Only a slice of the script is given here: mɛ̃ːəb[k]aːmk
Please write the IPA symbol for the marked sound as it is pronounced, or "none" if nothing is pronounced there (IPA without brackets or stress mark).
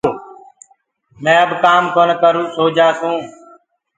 k